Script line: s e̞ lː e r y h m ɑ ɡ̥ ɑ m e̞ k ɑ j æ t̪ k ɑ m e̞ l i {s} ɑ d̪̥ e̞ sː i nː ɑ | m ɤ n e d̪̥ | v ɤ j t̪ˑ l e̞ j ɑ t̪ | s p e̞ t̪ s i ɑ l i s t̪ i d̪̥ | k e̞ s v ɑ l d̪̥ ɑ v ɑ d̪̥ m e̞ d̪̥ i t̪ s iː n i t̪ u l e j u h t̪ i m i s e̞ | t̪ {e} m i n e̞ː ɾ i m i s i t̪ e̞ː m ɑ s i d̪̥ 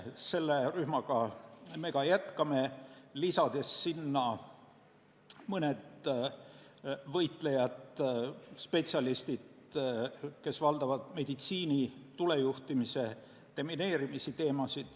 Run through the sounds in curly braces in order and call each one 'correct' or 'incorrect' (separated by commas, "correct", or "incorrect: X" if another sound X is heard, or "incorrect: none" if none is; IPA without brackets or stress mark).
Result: correct, correct